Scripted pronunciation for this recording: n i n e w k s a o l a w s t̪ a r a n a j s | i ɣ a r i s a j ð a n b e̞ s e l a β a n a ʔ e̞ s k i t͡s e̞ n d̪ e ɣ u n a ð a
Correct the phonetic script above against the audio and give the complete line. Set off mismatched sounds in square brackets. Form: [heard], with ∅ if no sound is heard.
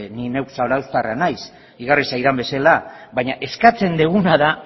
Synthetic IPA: n i n e w k s a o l a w s t̪ a r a n a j s | i ɣ a r i s a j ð a [m] b e̞ s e l a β a [ɲ] a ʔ e̞ s k [a] t͡s e̞ n d̪ e ɣ u n a ð a